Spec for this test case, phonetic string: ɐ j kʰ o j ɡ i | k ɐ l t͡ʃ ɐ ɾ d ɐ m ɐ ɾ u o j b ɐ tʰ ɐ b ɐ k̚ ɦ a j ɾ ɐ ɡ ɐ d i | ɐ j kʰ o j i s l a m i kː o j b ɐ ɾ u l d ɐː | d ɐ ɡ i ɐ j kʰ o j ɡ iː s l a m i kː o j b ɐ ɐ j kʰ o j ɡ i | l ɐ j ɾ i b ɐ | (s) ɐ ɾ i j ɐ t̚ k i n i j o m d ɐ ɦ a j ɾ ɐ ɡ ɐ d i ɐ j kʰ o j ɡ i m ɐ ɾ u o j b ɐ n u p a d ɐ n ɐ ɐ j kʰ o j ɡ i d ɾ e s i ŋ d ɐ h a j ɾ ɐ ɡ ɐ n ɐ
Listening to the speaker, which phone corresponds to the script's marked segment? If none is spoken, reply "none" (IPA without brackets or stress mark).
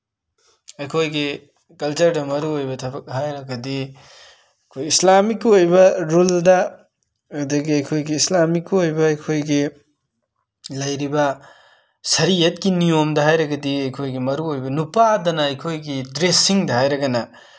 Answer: s